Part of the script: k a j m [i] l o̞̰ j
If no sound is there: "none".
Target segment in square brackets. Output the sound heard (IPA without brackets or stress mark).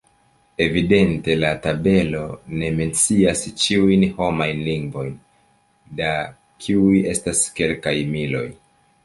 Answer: i